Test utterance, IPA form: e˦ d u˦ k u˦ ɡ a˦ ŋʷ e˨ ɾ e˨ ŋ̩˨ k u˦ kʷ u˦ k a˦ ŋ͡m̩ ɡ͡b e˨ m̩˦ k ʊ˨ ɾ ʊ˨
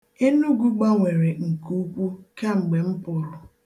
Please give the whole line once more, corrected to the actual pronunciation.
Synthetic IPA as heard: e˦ n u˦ ɡ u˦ ɡ͡b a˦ ŋʷ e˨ ɾ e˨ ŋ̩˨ k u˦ kʷ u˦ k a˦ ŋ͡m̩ ɡ͡b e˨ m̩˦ p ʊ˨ ɾ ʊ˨